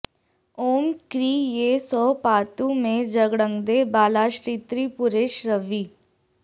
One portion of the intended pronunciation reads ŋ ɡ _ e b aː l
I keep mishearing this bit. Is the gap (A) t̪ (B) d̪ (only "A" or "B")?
B